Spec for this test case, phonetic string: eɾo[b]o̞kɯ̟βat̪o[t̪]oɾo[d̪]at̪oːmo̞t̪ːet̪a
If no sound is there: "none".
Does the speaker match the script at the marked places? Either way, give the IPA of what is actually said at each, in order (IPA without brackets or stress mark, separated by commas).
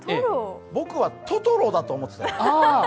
b, t̪, d̪